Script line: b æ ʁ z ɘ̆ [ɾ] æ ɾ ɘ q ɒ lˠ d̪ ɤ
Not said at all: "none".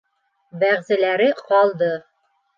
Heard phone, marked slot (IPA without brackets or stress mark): l